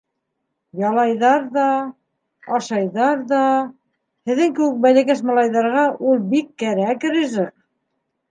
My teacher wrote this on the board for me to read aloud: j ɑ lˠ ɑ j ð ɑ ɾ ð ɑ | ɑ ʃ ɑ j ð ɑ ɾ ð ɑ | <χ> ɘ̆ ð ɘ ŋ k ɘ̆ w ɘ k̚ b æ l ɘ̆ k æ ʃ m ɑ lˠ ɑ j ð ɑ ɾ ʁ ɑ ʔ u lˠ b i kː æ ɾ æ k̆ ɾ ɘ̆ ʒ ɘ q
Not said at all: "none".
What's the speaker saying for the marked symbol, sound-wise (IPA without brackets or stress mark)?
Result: h